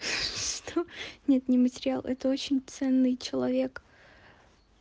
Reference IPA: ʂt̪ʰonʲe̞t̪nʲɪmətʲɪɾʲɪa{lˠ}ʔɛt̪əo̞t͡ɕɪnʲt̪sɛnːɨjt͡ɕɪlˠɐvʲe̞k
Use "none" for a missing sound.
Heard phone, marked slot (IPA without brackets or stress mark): lˠ